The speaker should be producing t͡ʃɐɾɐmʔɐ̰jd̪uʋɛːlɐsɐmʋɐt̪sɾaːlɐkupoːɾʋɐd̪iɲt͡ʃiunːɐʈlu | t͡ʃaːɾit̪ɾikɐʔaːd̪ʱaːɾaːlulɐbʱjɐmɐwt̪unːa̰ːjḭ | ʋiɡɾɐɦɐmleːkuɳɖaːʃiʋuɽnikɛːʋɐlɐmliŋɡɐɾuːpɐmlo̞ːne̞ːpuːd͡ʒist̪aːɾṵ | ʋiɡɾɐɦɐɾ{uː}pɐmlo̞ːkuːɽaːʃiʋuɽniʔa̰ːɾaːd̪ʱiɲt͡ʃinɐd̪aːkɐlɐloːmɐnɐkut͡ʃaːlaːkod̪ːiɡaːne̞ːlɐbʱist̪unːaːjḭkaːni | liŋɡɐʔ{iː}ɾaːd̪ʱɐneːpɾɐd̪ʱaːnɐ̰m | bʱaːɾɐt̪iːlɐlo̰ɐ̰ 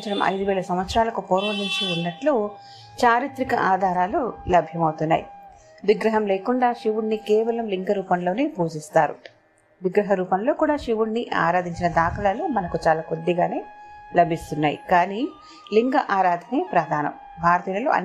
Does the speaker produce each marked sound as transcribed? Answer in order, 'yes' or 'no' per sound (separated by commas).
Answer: yes, no